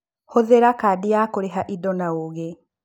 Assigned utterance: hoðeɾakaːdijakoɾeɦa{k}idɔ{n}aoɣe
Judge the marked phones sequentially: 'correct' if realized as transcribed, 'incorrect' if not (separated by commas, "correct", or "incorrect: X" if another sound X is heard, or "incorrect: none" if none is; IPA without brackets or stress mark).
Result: incorrect: ʔ, correct